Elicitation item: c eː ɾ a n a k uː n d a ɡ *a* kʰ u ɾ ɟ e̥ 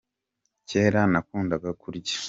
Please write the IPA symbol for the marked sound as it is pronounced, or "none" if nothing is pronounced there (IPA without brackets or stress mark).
a